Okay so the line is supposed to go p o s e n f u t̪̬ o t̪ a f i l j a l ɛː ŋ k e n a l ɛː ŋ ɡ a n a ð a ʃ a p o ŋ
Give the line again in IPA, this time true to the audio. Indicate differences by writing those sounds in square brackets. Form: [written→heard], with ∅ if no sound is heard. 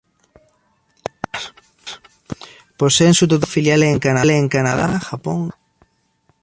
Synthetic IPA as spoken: p o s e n [f→s] u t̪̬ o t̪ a f i l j a l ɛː ŋ k [e→a] n a l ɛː ŋ [ɡ→k] a n a ð a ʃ a p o ŋ